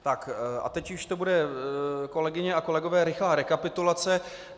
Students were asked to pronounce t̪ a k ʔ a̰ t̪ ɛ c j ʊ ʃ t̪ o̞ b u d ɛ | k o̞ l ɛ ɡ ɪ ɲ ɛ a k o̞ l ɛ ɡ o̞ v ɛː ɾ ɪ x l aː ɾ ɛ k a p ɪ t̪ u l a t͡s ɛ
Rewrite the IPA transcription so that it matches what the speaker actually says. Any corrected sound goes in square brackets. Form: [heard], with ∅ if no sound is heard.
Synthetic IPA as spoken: t̪ a k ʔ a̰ t̪ ɛ c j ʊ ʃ t̪ o̞ b u d ɛ | k o̞ l ɛ ɡ ɪ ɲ ɛ a k o̞ l ɛ ɡ o̞ v ɛː ɾ ɪ x l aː ɾ ɛ k a p ɪ t̪ u l a t͡s ɛ